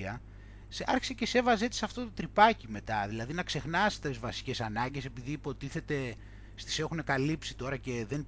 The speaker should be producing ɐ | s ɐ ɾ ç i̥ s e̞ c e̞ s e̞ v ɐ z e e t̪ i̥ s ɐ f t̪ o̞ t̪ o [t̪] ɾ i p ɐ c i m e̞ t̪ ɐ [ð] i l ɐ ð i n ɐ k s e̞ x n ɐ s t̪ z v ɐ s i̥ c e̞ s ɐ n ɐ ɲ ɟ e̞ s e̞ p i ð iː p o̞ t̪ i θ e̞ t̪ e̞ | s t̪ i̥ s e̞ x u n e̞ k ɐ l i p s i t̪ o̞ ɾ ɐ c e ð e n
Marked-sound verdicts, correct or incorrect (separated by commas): correct, correct